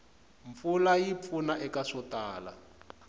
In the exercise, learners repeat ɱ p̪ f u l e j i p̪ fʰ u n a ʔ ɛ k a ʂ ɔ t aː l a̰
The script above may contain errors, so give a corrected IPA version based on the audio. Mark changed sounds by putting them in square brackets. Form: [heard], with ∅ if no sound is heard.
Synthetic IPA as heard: ɱ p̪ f u l [a] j i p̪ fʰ u n a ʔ ɛ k a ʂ ɔ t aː l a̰